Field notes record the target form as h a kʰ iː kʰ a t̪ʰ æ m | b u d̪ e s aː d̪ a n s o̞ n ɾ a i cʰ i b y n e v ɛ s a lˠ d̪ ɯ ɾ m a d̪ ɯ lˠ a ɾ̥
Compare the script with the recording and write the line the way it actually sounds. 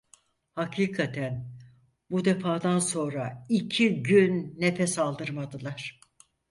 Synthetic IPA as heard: h a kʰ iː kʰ a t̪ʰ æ n | b u d̪ e f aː d̪ a n s o̞ n ɾ a i cʰ i ɟ y nː e f ɛ s a lˠ d̪ ɯ ɾ m a d̪ ɯ lˠ a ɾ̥